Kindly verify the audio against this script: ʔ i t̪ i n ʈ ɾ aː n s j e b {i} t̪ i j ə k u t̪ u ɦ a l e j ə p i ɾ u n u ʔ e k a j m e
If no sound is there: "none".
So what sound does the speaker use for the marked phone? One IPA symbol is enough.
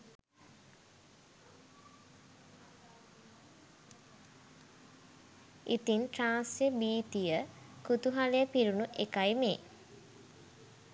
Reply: iː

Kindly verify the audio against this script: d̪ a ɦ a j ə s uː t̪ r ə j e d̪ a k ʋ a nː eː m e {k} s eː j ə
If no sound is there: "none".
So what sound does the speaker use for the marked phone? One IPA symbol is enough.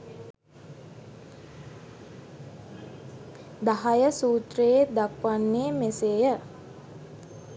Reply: none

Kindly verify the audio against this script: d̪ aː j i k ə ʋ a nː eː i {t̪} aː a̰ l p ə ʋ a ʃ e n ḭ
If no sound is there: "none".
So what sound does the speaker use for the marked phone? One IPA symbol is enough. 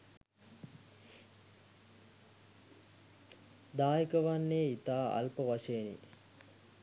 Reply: t̪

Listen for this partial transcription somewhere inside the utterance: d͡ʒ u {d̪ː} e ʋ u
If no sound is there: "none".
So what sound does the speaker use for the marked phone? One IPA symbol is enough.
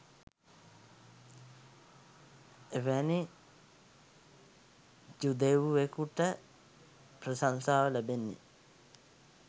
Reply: d̪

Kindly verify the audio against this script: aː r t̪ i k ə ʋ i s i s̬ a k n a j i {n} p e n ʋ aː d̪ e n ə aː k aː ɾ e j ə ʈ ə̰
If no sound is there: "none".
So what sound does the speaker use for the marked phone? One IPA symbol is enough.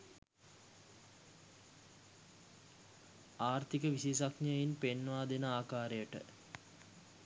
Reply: n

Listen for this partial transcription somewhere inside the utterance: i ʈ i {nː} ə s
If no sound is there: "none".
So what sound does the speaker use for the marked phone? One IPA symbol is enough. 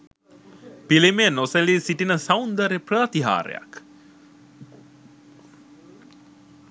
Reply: n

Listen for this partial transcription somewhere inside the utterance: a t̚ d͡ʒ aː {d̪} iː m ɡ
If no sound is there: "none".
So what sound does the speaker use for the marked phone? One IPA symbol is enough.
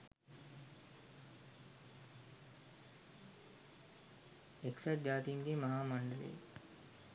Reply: t̪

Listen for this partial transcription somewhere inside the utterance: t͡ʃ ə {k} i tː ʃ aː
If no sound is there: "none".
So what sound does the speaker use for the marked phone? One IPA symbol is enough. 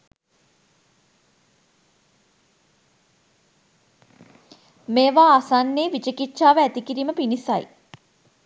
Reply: k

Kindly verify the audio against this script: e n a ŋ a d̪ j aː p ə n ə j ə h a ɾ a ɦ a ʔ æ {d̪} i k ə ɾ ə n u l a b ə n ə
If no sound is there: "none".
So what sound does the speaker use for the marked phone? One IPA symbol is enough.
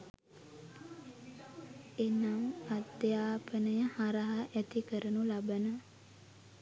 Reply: t̪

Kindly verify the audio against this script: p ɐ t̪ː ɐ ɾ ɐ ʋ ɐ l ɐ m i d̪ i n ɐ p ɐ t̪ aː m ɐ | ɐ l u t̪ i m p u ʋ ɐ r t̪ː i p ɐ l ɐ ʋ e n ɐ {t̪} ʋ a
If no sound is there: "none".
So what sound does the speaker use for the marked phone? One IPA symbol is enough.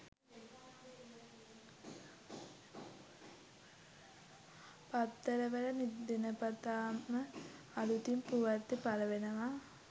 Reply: none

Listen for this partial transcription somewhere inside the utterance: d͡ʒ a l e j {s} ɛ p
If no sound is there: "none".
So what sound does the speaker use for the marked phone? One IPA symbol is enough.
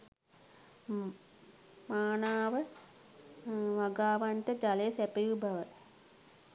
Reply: s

